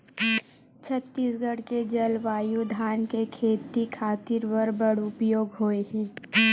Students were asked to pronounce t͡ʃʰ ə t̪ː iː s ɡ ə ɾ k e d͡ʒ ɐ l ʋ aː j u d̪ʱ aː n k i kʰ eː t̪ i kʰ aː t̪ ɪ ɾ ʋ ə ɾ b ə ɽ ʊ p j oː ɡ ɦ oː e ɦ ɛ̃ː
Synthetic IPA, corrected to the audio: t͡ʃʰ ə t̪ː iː s ɡ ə ɽ k e d͡ʒ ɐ l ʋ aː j u d̪ʱ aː n k e kʰ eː t̪ i kʰ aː t̪ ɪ ɾ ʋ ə ɾ b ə ɽ ʊ p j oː ɡ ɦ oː e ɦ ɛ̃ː